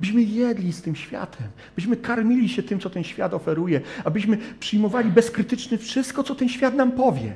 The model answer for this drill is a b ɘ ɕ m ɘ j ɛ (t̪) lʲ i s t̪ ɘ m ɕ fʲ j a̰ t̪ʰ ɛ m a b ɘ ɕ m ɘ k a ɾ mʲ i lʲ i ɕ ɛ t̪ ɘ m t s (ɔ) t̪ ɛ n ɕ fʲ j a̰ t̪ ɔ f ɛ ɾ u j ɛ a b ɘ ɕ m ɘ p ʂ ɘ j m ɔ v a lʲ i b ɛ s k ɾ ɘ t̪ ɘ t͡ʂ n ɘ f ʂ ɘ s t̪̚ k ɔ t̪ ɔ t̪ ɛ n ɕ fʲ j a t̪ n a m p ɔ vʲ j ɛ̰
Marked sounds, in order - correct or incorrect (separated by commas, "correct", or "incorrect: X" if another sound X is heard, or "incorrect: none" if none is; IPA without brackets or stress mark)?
incorrect: d̪, correct